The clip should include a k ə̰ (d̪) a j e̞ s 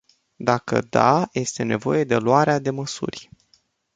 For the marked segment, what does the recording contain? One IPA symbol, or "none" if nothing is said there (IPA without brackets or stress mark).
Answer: d̪